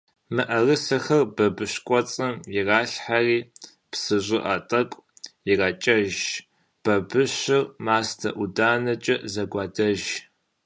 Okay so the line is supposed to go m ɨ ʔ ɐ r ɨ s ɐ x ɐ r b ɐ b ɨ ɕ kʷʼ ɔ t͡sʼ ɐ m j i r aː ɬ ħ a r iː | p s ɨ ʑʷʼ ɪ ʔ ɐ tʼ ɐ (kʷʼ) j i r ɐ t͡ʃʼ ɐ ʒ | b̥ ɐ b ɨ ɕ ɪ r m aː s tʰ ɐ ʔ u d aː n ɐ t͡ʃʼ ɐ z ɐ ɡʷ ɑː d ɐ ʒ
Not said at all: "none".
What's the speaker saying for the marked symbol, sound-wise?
kʷʼ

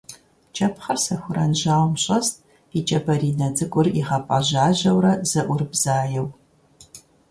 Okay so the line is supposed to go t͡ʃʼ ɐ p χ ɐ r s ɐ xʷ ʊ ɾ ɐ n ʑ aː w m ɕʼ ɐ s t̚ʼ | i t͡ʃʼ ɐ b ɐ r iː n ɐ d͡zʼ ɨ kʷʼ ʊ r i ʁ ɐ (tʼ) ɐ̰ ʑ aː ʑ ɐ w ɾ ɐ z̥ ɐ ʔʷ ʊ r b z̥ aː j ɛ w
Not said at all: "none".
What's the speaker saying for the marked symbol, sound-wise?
pʼ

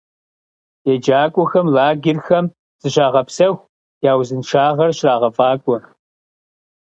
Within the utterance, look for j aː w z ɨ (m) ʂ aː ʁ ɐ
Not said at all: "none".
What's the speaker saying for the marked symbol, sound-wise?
n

